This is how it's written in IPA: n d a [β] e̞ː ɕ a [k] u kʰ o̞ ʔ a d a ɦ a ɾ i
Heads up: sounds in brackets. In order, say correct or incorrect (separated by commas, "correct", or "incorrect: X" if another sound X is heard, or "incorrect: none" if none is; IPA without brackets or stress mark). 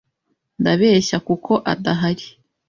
correct, correct